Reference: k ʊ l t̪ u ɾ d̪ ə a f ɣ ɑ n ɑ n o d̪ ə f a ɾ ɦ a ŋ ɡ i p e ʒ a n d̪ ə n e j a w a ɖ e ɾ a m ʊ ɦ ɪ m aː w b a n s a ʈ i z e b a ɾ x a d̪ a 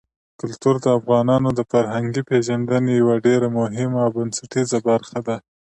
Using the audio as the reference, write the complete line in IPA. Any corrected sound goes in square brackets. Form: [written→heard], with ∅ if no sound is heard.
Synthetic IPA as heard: k ʊ l t̪ u ɾ d̪ ə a f ɣ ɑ n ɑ n o d̪ ə f a ɾ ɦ a ŋ ɡ i p e ʒ a n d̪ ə n e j a w a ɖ e ɾ a m ʊ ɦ ɪ m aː w b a n s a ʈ i z [e→a] b a ɾ x a d̪ a